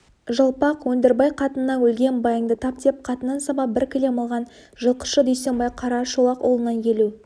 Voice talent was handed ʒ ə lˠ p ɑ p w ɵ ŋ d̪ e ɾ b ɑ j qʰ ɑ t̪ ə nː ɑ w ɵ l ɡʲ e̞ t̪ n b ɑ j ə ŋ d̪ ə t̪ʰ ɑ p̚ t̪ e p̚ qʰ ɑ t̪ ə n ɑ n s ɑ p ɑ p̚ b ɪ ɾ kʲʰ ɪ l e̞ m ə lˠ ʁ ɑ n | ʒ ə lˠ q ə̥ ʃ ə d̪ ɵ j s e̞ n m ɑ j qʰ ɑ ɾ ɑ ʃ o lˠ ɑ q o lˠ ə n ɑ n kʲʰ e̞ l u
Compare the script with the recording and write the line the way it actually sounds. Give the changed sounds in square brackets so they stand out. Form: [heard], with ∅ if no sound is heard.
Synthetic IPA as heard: ʒ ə lˠ p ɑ [q] w ɵ [n] d̪ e ɾ b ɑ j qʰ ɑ t̪ ə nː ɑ w ɵ l ɡʲ e̞ [∅] n b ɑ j ə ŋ d̪ ə t̪ʰ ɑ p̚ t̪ e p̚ qʰ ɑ t̪ ə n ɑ n s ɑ [b] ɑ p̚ b ɪ ɾ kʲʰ ɪ l e̞ m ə lˠ ʁ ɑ n | ʒ ə lˠ q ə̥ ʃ ə d̪ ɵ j s e̞ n [b] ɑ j qʰ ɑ ɾ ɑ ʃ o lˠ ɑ q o lˠ ə n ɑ n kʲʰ e̞ l u